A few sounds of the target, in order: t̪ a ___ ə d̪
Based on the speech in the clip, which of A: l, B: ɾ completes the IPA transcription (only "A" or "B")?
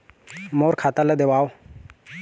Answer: A